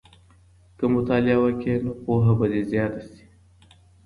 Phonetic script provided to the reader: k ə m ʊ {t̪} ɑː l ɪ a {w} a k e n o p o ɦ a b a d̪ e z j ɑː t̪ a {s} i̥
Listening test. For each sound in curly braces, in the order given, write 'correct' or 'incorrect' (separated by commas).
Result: correct, correct, correct